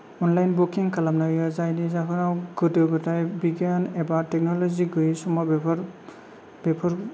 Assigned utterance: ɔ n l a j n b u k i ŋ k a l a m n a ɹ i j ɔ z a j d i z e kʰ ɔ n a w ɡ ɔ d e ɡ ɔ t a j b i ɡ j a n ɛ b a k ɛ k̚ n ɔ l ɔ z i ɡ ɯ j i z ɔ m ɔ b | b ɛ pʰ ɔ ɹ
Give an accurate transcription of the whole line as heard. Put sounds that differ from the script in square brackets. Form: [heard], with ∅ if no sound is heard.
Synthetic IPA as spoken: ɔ n l a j n b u k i ŋ k a l a m n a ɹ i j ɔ z a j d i z [a] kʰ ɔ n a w ɡ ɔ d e ɡ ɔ t a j b i ɡ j a n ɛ b a [t] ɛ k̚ n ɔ l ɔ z i ɡ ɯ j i [s] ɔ m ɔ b | b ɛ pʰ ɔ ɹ

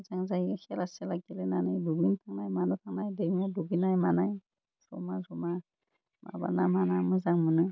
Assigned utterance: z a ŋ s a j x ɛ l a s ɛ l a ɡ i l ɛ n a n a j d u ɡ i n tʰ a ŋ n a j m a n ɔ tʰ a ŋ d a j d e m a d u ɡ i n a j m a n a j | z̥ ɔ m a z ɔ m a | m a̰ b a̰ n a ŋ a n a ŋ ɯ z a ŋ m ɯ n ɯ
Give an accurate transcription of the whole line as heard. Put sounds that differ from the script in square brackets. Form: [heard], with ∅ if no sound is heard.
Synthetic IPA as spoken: z a ŋ [z] a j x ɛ l a s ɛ l a ɡ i l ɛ n a n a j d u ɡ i n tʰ a ŋ n a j m a n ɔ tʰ a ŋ [n] a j d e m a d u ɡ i n a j m a n a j | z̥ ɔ m a z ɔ m a | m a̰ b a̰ n a [m] a n a [m] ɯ z a ŋ m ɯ n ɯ

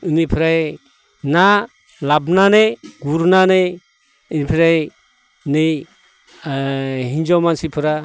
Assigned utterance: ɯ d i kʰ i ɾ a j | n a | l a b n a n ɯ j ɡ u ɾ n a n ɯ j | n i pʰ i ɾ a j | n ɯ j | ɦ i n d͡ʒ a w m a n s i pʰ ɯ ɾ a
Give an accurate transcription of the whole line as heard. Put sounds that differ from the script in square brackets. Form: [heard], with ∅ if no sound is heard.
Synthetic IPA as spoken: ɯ [n] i [pʰ] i ɾ a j | n a | l a b n a n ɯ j ɡ u ɾ n a n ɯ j | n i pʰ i ɾ a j | n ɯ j | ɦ i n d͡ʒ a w m a n s i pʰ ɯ ɾ a

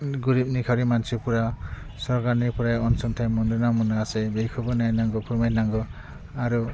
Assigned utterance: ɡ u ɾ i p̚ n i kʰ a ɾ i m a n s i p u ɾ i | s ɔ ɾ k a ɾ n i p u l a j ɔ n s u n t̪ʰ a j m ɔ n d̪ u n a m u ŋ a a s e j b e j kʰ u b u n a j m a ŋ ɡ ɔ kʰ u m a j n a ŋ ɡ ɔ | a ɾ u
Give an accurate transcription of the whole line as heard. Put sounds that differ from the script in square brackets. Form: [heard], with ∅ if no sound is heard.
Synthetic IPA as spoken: ɡ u ɾ i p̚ n i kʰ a ɾ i m a n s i p u ɾ [a] | s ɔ ɾ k a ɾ n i p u [ɾ] a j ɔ n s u n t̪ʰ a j m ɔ n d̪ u n a m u [n] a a s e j b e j kʰ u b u n a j [n] a ŋ ɡ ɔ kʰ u m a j n a ŋ ɡ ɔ | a ɾ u

